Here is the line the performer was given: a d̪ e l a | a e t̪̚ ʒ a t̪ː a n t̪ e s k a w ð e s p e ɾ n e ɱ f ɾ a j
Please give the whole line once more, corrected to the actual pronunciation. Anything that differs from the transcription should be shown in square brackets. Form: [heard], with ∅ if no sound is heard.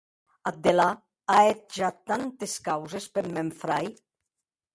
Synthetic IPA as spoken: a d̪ e l a | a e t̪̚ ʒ a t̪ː a n t̪ e s k a w [z] e s p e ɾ [m] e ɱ f ɾ a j